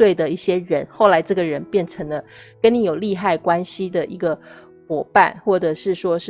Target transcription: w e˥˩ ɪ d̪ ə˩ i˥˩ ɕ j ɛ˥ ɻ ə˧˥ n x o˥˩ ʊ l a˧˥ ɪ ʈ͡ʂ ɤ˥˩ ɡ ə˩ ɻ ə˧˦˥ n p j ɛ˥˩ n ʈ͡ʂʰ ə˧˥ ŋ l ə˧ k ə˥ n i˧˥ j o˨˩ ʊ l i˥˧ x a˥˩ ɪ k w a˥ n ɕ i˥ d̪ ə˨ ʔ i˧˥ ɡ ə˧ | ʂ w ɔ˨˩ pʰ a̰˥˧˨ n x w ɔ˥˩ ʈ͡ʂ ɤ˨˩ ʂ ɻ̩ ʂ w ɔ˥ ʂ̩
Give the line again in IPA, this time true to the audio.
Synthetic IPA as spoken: w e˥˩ ɪ d̪ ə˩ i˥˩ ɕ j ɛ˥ ɻ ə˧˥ n x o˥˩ ʊ l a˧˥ ɪ ʈ͡ʂ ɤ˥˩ ɡ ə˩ ɻ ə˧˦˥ n p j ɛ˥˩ n ʈ͡ʂʰ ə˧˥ ŋ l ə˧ k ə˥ n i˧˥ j o˨˩ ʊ l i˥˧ x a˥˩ ɪ k w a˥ n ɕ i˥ d̪ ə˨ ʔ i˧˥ ɡ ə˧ | x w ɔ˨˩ p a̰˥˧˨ n x w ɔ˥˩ ʈ͡ʂ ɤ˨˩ ʂ ɻ̩ ʂ w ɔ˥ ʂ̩

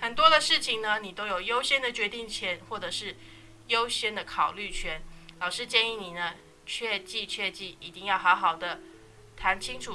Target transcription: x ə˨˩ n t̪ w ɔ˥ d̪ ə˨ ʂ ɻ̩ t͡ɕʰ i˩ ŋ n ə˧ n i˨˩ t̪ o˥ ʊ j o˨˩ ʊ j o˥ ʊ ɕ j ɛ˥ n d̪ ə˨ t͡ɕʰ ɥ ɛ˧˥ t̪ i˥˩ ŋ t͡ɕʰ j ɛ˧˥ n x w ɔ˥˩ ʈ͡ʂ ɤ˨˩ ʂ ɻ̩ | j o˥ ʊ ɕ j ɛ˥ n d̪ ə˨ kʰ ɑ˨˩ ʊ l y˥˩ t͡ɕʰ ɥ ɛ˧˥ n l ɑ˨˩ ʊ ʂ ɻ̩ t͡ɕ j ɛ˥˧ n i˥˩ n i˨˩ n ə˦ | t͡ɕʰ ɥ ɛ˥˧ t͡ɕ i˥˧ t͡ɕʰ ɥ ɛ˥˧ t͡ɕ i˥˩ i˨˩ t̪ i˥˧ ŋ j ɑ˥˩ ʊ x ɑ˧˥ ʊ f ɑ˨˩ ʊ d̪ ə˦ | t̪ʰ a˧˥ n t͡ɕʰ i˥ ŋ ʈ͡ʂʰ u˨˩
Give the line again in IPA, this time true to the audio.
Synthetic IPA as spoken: x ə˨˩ n t̪ w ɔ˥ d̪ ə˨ ʂ ɻ̩ t͡ɕʰ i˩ ŋ n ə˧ n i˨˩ t̪ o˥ ʊ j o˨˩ ʊ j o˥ ʊ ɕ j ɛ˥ n d̪ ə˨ t͡ɕ ɥ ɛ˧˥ t̪ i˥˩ ŋ t͡ɕʰ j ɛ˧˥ n x w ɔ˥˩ ʈ͡ʂ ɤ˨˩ ʂ ɻ̩ | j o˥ ʊ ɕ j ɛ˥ n d̪ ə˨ kʰ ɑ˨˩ ʊ l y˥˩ t͡ɕʰ ɥ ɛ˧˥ n l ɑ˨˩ ʊ ʂ ɻ̩ t͡ɕ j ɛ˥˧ n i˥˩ n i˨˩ n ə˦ | t͡ɕʰ ɥ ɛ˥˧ t͡ɕ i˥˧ t͡ɕʰ ɥ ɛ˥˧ t͡ɕ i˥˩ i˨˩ t̪ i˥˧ ŋ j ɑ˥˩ ʊ x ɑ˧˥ ʊ x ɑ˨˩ ʊ d̪ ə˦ | t̪ʰ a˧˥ n t͡ɕʰ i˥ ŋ ʈ͡ʂʰ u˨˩

